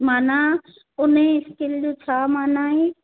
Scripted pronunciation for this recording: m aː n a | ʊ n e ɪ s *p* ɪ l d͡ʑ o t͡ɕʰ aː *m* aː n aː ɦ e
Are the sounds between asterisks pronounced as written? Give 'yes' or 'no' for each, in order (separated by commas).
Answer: no, yes